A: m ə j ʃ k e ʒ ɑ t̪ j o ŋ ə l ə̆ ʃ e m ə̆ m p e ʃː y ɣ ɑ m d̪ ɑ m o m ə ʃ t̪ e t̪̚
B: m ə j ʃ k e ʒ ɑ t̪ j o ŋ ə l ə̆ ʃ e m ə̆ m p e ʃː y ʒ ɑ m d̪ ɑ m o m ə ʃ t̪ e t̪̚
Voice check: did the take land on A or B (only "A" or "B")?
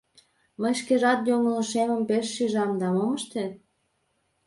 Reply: B